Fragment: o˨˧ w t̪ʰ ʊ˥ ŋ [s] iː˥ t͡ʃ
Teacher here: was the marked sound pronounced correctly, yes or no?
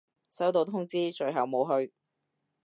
no